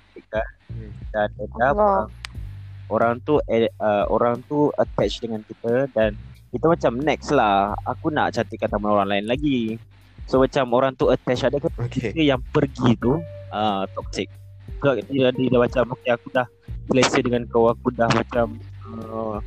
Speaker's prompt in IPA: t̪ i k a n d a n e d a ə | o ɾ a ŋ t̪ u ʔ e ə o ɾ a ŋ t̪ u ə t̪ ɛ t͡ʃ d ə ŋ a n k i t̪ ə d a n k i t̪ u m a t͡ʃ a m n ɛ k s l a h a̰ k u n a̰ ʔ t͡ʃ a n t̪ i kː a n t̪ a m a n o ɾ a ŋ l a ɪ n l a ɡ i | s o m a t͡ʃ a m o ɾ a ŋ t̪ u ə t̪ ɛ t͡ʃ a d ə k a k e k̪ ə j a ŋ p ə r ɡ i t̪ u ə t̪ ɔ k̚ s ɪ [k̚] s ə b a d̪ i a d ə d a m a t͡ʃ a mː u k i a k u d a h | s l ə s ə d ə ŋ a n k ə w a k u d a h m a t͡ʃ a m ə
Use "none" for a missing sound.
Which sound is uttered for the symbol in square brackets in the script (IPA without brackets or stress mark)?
k̚